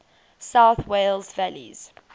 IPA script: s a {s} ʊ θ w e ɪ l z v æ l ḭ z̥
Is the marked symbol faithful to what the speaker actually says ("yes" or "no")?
no